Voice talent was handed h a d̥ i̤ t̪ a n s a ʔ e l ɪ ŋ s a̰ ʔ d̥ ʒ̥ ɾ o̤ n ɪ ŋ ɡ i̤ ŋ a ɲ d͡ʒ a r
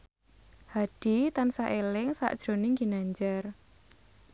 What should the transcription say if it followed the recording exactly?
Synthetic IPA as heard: h a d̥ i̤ t̪ a n s a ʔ e l ɪ ŋ s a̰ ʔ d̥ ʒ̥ ɾ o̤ n ɪ ŋ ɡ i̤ n a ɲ d͡ʒ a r